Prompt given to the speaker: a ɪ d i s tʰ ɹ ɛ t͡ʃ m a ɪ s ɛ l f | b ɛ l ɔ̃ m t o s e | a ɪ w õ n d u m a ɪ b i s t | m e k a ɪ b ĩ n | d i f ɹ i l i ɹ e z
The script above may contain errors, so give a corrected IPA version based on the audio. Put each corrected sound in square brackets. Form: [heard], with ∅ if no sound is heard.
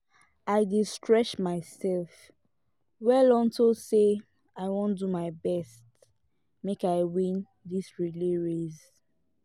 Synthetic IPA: a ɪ d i s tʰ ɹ ɛ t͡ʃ m a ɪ s ɛ l f | [w] ɛ l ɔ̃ [n] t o s e | a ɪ w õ n d u m a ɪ b [ɛ] s t | m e k a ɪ [w] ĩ n | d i [s] ɹ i l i ɹ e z